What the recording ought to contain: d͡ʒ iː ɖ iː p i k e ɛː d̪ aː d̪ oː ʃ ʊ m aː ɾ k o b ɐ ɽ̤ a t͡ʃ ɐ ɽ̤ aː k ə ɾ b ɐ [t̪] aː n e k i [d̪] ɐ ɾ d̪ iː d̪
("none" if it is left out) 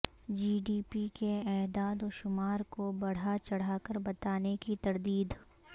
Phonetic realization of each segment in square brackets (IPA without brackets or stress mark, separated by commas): t̪, t̪